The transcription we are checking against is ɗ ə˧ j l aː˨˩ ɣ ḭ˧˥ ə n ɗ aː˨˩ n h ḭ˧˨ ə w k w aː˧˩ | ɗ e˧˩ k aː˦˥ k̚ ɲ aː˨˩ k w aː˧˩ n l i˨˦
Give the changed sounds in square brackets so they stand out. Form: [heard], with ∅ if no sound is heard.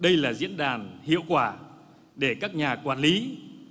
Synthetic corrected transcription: ɗ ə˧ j l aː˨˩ [z] ḭ˧˥ ə n ɗ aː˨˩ n h ḭ˧˨ ə w k w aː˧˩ | ɗ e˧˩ k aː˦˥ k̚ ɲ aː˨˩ k w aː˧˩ n l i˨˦